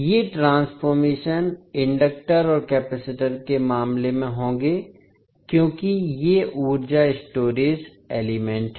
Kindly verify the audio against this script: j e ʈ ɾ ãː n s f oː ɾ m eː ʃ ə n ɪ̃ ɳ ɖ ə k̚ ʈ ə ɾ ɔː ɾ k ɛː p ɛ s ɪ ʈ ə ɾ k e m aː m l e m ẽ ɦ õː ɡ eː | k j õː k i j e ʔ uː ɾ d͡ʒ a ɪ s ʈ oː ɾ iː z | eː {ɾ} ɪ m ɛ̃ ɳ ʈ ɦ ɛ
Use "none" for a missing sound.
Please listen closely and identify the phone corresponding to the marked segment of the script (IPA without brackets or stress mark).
l